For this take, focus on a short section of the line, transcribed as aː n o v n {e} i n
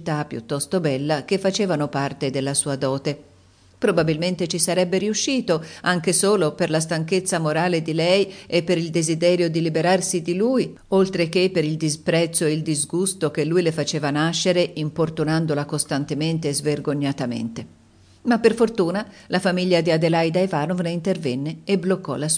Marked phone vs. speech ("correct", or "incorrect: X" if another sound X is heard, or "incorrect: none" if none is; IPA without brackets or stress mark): correct